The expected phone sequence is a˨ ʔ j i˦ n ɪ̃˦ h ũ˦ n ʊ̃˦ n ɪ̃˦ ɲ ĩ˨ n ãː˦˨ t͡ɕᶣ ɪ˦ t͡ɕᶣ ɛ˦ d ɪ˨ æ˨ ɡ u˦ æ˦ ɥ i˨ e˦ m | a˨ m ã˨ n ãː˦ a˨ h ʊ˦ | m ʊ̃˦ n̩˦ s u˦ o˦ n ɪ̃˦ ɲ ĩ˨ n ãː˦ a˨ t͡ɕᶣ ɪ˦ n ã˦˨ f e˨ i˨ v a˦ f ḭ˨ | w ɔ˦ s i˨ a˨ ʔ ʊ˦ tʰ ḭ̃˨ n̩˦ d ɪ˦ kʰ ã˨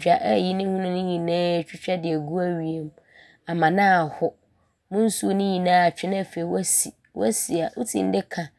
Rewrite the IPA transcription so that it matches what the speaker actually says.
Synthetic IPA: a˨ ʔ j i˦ n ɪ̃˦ h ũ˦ n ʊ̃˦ n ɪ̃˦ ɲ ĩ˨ n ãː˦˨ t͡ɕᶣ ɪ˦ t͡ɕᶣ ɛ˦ d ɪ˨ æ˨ ɡ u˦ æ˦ ɥ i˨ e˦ m | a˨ m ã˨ n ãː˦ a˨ h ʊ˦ | m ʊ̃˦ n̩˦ s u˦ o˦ n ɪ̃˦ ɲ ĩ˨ n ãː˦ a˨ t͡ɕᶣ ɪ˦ n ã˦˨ f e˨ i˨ w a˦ s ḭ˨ | w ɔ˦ s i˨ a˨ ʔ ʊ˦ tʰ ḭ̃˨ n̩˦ d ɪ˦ kʰ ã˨